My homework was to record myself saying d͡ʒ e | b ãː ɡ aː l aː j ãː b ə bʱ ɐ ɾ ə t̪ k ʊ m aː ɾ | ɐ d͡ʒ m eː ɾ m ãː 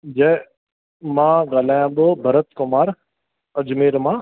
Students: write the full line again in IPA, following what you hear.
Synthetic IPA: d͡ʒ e | m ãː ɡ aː l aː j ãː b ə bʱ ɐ ɾ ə t̪ k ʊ m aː ɾ | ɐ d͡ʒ m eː ɾ m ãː